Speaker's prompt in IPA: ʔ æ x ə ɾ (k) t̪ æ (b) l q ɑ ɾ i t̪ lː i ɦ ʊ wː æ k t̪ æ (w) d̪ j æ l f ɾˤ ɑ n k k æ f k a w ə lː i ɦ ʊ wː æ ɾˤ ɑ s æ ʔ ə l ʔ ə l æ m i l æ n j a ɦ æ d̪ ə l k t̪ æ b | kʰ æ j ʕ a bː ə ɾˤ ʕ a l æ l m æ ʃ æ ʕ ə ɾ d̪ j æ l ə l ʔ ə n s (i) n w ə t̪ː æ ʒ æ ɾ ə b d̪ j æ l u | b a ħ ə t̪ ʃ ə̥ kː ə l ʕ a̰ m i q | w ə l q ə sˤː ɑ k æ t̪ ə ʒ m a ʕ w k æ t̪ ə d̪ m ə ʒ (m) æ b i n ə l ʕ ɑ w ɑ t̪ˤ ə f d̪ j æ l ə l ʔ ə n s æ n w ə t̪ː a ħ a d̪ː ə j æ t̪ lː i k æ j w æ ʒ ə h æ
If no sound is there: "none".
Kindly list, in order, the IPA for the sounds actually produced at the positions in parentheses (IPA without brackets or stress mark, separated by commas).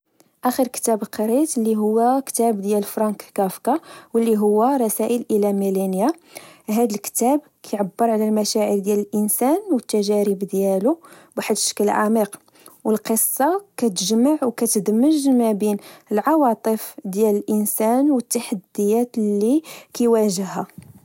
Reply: k, b, b, æ, m